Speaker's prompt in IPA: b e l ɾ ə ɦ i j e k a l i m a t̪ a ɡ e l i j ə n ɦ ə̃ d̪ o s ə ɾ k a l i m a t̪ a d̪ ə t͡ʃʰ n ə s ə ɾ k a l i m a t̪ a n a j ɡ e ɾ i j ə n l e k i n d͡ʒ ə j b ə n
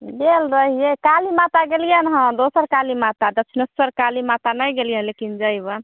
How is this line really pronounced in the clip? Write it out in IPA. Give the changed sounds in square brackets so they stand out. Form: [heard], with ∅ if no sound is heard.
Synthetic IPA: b e l ɾ ə ɦ i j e k a l i m a t̪ a ɡ e l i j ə n ɦ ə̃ d̪ o s ə ɾ k a l i m a t̪ a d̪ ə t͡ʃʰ n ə s ə ɾ k a l i m a t̪ a n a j ɡ e [l] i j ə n l e k i n d͡ʒ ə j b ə n

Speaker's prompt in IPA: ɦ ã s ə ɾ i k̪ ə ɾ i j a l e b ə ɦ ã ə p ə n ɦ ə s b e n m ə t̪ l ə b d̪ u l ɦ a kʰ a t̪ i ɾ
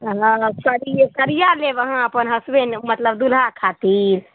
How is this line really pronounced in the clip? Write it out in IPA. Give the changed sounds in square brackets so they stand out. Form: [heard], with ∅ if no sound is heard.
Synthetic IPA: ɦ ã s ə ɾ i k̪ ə ɾ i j a l e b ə ɦ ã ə p ə n ɦ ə s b e n m ə t̪ l ə b d̪ u l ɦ a kʰ a t̪ i ɾ

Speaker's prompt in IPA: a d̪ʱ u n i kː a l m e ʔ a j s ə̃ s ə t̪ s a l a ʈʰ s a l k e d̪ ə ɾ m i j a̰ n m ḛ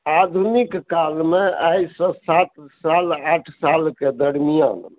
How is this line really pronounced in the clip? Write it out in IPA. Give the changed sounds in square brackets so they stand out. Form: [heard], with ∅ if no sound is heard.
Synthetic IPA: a d̪ʱ u n i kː a l m e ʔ a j s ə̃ s [a] t̪ s a l a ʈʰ s a l k e d̪ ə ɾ m i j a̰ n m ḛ

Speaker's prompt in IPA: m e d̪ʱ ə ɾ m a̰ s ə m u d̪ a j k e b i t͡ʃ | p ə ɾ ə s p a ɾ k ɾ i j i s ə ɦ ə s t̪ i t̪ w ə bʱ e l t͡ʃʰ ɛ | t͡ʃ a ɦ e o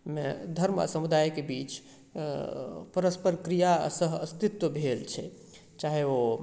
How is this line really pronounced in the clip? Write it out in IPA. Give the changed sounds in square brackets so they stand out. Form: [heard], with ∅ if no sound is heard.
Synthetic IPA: m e d̪ʱ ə ɾ m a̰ s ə m u d̪ a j k e b i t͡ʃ | p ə ɾ ə s p [ə] ɾ k ɾ i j [a] s ə ɦ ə s t̪ i t̪ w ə bʱ e l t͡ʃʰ ɛ | t͡ʃ a ɦ e o

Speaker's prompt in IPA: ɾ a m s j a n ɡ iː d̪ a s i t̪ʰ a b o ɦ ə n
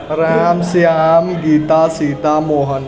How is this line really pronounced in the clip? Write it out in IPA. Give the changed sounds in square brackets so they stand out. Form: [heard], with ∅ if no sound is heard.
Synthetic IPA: ɾ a m s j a [m] ɡ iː [t̪] a s i [t̪] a [m] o ɦ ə n

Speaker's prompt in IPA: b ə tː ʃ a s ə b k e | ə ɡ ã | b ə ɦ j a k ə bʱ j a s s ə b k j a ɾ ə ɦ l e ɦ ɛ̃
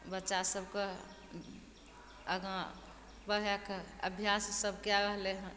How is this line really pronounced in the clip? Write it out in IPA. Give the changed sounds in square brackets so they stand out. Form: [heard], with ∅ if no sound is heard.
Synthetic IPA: b ə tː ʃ a s ə b k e | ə ɡ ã | b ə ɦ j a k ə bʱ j a s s ə b k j a ɾ ə ɦ l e ɦ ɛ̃

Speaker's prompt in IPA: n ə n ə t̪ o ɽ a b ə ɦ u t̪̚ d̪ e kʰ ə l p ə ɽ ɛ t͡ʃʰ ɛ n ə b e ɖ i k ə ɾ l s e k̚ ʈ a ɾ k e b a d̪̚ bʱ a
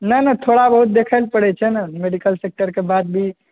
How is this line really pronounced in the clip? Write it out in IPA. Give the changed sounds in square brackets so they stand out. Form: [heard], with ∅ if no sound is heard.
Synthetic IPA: n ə n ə [t̪ʰ] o ɽ a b ə ɦ u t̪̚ d̪ e kʰ ə l p ə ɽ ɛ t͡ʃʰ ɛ n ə [m] e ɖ i k ə [∅] l s e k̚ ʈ [ə] ɾ k e b a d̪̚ bʱ [i]

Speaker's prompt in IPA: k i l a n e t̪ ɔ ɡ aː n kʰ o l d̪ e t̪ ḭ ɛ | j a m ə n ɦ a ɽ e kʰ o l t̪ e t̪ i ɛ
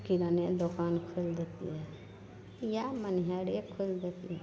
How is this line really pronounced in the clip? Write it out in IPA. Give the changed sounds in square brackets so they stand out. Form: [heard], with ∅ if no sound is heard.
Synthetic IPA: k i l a n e [d̪] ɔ [k] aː n kʰ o l d̪ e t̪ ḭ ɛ | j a m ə n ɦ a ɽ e kʰ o l [d̪] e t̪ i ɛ

